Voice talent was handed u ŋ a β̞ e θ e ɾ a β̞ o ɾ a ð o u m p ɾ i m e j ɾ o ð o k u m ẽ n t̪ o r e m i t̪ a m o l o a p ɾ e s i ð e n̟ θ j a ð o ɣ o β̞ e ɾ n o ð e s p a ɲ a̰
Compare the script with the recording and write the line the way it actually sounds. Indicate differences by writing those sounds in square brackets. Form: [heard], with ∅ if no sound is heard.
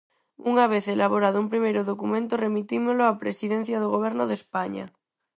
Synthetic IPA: u ŋ a β̞ e θ e [l] a β̞ o ɾ a ð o u m p ɾ i m e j ɾ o ð o k u m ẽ n t̪ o r e m i t̪ [i] m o l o a p ɾ e s i ð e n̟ θ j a ð o ɣ o β̞ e ɾ n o ð e s p a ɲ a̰